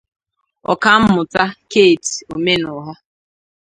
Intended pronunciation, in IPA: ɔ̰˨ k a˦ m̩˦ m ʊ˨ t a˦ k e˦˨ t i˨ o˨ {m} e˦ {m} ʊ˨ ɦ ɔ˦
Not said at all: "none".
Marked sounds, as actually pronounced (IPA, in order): m, n

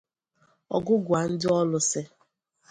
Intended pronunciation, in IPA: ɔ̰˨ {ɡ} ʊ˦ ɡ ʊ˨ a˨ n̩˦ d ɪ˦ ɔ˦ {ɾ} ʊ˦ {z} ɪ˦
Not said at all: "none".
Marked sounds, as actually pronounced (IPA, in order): ɡ, l, s

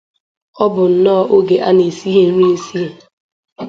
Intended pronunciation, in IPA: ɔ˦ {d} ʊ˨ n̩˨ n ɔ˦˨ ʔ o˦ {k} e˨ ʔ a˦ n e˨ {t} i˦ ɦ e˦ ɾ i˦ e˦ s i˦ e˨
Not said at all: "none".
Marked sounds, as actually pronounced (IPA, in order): b, ɡ, s

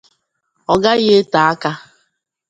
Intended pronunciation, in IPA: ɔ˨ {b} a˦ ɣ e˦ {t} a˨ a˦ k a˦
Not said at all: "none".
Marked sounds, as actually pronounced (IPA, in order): ɡ, t

